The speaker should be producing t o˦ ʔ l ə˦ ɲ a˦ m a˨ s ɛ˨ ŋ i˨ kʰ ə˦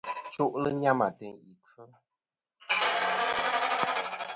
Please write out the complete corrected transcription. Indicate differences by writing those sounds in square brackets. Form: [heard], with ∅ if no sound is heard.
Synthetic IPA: [t͡ʃ] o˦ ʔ l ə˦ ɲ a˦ m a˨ [t] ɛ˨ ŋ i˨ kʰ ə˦